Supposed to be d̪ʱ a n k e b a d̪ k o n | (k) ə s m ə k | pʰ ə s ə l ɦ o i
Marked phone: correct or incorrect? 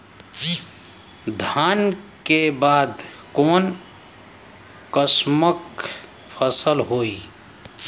correct